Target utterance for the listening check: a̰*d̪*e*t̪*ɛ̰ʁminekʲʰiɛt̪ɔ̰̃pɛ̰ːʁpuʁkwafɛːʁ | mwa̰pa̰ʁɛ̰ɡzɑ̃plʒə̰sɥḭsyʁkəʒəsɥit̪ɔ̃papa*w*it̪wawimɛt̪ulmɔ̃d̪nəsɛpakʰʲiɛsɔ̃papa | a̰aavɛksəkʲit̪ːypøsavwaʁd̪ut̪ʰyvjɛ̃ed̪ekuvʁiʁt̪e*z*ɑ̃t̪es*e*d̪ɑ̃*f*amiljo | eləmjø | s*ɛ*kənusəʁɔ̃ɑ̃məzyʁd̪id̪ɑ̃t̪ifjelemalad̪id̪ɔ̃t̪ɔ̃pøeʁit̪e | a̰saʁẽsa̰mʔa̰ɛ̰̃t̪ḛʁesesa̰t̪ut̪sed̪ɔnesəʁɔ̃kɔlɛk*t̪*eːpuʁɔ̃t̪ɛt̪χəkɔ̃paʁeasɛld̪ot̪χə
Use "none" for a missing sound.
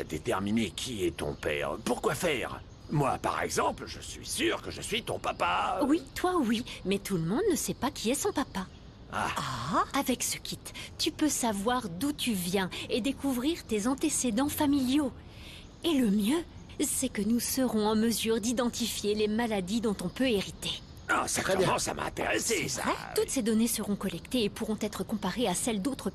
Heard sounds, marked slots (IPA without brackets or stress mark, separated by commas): d̪, t̪, w, z, e, f, ɛ, t̪